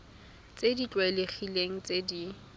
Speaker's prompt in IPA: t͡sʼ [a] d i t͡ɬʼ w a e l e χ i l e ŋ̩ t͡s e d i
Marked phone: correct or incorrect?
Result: incorrect